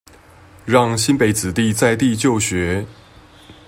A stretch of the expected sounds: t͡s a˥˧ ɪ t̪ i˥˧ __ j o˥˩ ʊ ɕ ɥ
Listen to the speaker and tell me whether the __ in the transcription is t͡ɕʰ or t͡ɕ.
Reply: t͡ɕ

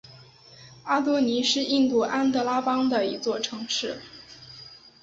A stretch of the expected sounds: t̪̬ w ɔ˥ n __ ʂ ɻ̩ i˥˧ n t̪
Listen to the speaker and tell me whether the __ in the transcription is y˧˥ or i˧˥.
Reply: i˧˥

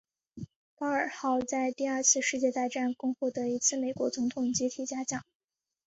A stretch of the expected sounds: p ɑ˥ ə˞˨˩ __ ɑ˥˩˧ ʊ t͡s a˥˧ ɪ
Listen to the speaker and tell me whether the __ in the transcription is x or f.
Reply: x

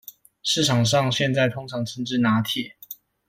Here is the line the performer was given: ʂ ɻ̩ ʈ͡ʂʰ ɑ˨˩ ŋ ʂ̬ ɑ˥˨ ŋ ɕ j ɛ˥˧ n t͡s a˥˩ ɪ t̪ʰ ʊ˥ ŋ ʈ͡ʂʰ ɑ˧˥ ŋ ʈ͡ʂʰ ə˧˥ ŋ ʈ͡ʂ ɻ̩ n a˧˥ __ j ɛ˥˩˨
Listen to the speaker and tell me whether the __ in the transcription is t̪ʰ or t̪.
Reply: t̪ʰ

